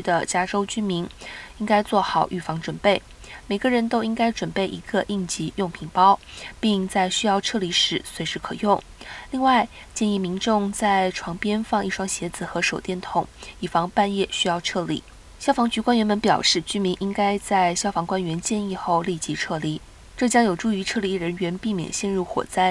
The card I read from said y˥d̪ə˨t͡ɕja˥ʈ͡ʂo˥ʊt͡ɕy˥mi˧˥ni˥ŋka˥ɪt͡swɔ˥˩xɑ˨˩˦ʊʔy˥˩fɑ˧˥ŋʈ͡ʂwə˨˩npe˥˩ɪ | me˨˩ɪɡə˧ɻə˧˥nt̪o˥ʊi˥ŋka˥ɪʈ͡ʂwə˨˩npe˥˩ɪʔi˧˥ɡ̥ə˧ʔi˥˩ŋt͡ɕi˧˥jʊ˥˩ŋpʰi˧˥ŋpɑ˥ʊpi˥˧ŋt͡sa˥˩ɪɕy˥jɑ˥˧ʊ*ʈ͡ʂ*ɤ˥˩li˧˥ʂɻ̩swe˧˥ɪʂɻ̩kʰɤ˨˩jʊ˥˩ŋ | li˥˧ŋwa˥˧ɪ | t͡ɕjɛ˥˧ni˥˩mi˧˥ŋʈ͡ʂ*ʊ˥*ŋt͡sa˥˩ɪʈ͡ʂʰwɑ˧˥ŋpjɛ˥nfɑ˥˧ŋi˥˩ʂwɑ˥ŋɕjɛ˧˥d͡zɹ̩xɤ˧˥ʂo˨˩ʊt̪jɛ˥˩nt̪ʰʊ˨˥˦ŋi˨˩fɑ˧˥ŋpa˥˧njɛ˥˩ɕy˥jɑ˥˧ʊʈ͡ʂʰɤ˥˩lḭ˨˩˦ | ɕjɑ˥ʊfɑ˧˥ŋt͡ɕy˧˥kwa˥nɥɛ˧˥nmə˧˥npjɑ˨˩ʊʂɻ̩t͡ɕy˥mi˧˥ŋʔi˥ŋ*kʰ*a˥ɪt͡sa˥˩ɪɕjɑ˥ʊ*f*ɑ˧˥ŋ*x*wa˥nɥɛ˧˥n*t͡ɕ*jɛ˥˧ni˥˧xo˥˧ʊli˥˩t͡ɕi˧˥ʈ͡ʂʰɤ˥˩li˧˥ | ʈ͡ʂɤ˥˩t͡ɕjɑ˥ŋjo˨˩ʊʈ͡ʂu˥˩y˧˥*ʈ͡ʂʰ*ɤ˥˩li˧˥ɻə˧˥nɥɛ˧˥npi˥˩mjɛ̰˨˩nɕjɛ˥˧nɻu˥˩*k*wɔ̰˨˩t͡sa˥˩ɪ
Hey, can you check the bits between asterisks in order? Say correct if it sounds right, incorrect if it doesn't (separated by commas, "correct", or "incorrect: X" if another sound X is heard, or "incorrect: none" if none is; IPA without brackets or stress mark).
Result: incorrect: ʈ͡ʂʰ, incorrect: ʊ˥˧, incorrect: k, correct, incorrect: k, correct, correct, incorrect: x